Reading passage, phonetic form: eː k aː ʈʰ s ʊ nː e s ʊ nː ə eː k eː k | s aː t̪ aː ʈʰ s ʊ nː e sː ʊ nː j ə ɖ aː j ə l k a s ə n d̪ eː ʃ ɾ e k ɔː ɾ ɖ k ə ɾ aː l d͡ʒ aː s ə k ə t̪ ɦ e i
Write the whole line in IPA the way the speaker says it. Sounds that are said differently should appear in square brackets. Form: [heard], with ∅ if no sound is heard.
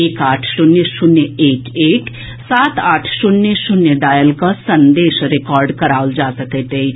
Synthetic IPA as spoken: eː k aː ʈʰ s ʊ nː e s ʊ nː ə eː k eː k | s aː t̪ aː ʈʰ s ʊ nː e [s] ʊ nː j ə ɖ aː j ə l k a s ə n d̪ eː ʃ ɾ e k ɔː ɾ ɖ k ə ɾ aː l d͡ʒ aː s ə k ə t̪ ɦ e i

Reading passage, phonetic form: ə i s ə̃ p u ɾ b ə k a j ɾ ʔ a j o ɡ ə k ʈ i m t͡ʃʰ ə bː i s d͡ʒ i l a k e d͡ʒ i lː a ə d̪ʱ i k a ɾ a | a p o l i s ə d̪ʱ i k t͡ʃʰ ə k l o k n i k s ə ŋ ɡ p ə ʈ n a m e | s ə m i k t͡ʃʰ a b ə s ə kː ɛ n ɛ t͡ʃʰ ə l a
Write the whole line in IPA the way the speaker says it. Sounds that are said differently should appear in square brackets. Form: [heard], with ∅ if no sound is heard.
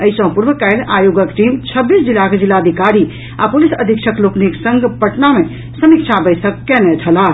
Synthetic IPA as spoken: ə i s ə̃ p u ɾ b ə k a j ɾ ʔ a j o ɡ ə k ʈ i m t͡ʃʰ ə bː i s d͡ʒ i l a k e d͡ʒ i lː a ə d̪ʱ i k a ɾ [i] | a p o l i s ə d̪ʱ i k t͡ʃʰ ə k l o k n i k s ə ŋ ɡ p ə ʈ n a m e | s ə m i k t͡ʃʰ a b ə s ə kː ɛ n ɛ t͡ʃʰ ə l a

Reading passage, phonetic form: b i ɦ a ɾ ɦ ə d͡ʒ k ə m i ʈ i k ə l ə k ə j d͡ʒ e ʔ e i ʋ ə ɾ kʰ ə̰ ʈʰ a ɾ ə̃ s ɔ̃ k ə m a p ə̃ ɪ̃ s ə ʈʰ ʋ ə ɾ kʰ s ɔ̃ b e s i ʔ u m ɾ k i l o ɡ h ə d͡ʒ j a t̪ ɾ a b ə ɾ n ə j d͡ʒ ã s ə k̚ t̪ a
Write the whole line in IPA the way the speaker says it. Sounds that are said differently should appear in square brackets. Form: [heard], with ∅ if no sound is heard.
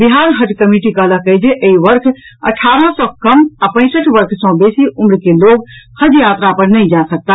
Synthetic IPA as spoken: b i ɦ a ɾ ɦ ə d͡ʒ k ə m i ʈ i k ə l ə k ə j d͡ʒ e ʔ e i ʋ ə ɾ kʰ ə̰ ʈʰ a ɾ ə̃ s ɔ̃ k ə m a p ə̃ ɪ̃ s ə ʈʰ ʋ ə ɾ kʰ s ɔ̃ b e s i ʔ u m ɾ k [e] l o ɡ h ə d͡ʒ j a t̪ ɾ a [p] ə ɾ n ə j d͡ʒ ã s ə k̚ t̪ a

